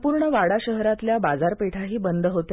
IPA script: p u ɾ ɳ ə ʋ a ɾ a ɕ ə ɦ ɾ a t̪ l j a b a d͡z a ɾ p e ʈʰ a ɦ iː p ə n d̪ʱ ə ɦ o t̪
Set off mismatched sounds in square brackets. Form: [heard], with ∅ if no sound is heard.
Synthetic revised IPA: p u ɾ ɳ ə ʋ a [ɽ] a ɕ ə ɦ ɾ a t̪ l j a b a d͡z a ɾ p e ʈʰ a ɦ iː [b] ə n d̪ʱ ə ɦ o t̪